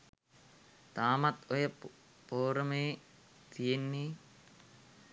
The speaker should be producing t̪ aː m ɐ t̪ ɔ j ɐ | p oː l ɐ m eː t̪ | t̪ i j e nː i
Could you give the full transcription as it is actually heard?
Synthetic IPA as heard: t̪ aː m ɐ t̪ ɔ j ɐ | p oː ɾ ɐ m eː | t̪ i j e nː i